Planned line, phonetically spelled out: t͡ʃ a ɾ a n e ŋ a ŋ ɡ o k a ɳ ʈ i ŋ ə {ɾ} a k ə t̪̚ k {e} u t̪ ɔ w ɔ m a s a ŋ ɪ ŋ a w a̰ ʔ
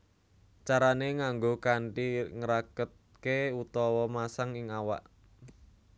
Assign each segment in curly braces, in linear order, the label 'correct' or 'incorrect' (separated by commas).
correct, correct